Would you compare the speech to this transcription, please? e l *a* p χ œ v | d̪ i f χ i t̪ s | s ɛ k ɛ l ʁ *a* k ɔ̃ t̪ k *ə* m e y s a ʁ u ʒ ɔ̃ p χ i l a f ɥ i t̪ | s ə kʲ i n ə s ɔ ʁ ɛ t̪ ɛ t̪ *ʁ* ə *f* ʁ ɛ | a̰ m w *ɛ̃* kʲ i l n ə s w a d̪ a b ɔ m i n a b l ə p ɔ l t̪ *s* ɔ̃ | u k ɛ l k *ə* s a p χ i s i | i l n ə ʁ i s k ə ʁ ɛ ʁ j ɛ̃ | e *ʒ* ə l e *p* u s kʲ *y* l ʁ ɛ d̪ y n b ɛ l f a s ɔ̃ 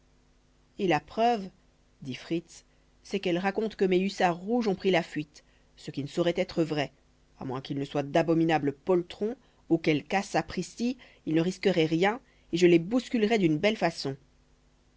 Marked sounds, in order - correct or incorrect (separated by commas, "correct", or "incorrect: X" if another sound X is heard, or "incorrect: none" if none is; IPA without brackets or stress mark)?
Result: correct, correct, correct, incorrect: χ, incorrect: v, correct, incorrect: χ, incorrect: a, correct, incorrect: b, correct